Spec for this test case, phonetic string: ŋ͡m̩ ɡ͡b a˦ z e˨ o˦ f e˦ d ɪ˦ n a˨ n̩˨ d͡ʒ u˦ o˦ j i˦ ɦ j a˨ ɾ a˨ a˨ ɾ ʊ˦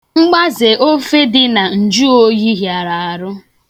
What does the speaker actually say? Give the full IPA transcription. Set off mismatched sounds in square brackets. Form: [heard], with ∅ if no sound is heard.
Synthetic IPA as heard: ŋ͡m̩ ɡ͡b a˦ z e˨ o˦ f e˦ d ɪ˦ n a˨ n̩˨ d͡ʒ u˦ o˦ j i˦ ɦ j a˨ ɾ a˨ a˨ ɾ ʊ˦